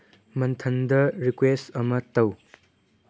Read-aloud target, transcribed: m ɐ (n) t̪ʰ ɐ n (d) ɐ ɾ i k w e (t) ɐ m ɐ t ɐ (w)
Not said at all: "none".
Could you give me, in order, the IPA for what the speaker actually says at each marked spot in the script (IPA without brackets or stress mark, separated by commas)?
n, d, s, w